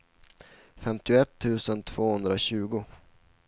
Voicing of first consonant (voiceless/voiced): voiceless